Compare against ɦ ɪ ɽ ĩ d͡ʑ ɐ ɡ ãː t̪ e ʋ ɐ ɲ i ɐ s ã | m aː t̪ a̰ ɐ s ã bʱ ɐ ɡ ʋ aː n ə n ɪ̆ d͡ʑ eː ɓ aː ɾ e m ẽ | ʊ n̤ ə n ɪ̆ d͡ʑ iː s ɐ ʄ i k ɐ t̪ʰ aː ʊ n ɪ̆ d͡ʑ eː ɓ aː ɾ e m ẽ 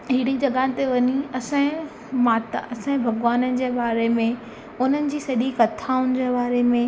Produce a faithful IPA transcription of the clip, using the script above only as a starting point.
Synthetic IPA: ɦ ɪ ɽ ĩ d͡ʑ ɐ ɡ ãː t̪ e ʋ ɐ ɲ i ɐ s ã | m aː t̪ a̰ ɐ s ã bʱ ɐ ɡ ʋ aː n ə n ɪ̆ d͡ʑ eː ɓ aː ɾ e m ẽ | ʊ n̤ ə n ɪ̆ d͡ʑ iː s ɐ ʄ i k ɐ t̪ʰ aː ʊ n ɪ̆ d͡ʑ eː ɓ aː ɾ e m ẽ